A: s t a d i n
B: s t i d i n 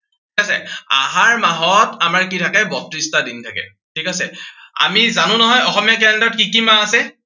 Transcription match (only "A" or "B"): A